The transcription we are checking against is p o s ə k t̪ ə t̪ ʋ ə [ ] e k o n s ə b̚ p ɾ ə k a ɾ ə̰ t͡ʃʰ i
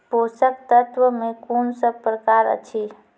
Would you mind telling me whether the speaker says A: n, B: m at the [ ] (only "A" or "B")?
B